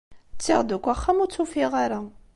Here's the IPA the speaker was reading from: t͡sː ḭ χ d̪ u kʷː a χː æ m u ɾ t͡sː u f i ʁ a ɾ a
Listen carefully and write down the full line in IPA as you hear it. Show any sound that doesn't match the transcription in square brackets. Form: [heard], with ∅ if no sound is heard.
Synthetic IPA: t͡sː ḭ [ʁ] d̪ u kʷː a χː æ m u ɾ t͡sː u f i ʁ a ɾ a